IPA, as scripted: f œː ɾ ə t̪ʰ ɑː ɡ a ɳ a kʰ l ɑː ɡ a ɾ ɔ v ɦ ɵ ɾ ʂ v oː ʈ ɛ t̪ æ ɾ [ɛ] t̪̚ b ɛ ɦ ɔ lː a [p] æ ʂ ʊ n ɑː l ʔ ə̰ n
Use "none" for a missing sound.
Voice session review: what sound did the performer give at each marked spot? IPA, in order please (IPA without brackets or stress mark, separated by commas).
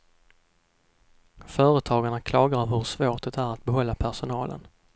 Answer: a, pʰ